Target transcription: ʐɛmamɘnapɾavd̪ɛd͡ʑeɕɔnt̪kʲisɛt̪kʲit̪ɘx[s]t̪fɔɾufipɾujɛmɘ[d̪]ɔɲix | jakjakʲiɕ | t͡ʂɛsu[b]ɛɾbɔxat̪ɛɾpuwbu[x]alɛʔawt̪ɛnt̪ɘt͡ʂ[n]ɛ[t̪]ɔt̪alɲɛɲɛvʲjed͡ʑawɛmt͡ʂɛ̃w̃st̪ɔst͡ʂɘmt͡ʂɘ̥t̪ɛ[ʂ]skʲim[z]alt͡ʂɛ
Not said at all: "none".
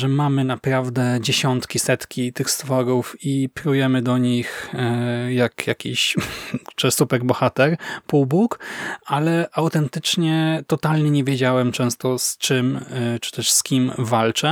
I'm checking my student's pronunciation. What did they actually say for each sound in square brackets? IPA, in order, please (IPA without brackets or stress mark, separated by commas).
s, d̪, p, k, ɲ, t̪, ʂ, v